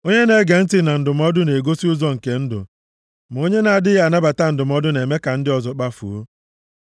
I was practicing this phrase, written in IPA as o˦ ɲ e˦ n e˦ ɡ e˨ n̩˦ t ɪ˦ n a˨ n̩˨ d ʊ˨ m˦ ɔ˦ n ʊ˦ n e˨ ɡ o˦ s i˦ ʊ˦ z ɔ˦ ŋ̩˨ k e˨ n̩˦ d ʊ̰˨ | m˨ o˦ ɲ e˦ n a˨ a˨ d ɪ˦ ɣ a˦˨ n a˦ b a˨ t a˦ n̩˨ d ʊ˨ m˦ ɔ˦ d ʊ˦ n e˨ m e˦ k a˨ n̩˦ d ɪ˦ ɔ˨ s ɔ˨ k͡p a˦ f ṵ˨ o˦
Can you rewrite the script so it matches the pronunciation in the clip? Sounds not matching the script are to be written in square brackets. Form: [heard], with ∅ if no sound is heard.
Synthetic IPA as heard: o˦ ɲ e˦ n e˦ ɡ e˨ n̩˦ t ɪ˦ n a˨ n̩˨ d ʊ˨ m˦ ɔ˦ [d] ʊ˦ n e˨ ɡ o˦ s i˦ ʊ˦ z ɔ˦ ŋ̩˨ k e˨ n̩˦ d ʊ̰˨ | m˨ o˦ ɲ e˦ n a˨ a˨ d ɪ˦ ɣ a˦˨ n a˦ b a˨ t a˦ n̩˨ d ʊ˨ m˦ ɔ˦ d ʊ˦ n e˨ m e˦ k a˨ n̩˦ d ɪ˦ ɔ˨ [z] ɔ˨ k͡p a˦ f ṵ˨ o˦